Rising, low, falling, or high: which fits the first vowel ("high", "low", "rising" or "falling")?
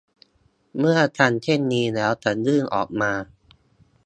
falling